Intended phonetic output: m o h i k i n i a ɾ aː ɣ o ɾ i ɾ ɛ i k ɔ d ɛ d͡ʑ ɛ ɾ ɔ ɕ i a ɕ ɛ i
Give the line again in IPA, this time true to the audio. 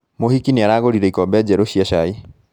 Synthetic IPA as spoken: m o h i k i n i a ɾ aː ɣ o ɾ i ɾ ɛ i k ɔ b ɛ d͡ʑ ɛ ɾ o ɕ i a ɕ a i